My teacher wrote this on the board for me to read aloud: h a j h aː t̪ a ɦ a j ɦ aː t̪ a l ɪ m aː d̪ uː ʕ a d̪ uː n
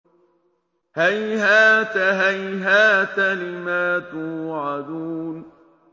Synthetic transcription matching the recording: h a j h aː t̪ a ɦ a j ɦ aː t̪ a l ɪ m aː t̪ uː ʕ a d̪ uː n